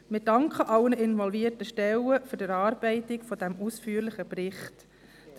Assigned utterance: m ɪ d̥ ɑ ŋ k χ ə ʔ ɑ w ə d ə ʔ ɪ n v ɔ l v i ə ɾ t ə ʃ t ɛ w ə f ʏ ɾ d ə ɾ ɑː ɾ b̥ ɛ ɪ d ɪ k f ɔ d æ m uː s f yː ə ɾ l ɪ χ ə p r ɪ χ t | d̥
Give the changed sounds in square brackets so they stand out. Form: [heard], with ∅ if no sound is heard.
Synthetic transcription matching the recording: m ɪ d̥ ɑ ŋ k χ ə ʔ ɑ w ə [n] ə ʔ ɪ n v ɔ l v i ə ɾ t ə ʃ t ɛ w ə f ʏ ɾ d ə ɾ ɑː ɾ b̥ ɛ ɪ [t] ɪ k f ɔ d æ m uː s f yː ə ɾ l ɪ χ ə p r ɪ χ t | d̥